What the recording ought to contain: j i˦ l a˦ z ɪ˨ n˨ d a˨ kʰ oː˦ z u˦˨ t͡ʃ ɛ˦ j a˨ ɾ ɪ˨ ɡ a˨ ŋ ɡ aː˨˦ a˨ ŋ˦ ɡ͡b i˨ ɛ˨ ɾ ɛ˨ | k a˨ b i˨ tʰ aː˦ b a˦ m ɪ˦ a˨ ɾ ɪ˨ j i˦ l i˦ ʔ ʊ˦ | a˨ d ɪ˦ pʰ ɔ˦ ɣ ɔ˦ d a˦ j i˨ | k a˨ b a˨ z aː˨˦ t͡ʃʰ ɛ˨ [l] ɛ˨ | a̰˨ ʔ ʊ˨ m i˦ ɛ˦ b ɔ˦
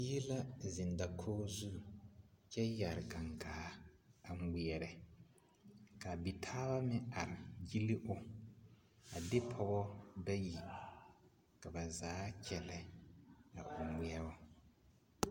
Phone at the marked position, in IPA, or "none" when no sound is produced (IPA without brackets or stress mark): l